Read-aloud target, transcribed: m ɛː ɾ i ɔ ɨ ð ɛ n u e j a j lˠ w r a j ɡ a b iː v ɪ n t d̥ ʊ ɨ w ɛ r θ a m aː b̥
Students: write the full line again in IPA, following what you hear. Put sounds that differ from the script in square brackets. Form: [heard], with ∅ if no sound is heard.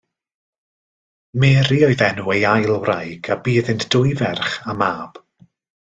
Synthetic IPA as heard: m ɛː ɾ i ɔ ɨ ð ɛ n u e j a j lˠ w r a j ɡ a b iː [ð] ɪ n t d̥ ʊ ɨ [v] ɛ r [χ] a m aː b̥